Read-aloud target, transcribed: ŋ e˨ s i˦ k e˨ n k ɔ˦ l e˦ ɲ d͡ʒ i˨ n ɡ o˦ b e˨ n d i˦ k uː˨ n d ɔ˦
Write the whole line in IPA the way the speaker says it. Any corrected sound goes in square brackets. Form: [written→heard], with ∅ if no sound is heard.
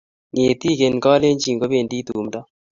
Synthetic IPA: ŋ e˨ [s→t] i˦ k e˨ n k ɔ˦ l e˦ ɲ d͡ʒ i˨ [n→ŋ] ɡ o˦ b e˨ n d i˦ [k→t] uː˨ [n→m] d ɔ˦